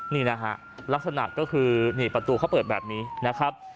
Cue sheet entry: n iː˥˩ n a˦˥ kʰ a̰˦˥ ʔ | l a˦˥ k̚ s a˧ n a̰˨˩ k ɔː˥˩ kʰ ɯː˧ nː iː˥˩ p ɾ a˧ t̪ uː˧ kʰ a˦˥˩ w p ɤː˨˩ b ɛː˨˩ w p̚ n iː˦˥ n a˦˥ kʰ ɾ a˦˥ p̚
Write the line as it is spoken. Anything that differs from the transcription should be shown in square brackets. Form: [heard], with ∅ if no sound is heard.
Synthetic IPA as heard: n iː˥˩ n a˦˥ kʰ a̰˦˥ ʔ | l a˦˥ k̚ s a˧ n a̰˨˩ k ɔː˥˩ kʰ ɯː˧ [n] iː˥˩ p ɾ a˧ t̪ uː˧ kʰ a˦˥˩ w p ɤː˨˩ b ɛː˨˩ [∅] p̚ n iː˦˥ n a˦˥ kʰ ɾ a˦˥ p̚